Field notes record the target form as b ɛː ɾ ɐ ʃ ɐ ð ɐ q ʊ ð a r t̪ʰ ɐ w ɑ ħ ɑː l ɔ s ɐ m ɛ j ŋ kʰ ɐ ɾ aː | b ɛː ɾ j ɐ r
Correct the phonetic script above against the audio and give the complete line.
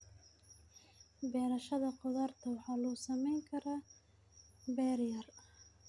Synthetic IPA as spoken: b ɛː ɾ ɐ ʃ ɐ ð ɐ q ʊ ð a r t̪ʰ ɐ w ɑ ħ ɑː l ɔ s ɐ m ɛ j ŋ kʰ ɐ ɾ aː | b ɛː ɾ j ɐ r